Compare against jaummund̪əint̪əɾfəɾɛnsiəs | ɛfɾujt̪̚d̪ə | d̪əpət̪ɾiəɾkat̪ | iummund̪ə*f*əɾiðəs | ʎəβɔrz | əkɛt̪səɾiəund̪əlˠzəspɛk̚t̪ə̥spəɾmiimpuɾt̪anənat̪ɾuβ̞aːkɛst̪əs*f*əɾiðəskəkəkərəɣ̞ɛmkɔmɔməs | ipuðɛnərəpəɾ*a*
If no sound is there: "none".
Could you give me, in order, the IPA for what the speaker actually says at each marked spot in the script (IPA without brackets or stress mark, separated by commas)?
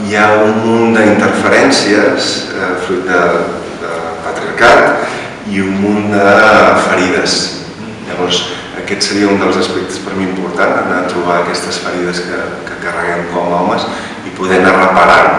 f, f, a